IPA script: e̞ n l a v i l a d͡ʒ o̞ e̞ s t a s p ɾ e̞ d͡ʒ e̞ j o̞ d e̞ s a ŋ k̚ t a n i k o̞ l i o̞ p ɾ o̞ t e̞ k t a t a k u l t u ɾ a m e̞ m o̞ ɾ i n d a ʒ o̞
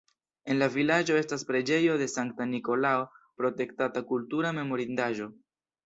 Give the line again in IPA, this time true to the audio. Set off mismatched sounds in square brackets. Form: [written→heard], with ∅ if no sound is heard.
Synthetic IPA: e̞ n l a v i l a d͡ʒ o̞ e̞ s t a s p ɾ e̞ d͡ʒ e̞ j o̞ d e̞ s a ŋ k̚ t a n i k o̞ l [i→a] o̞ p ɾ o̞ t e̞ k t a t a k u l t u ɾ a m e̞ m o̞ ɾ i n d a ʒ o̞